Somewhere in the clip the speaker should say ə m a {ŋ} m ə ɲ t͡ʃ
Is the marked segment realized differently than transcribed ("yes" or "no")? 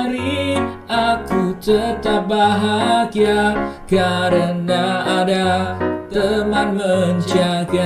yes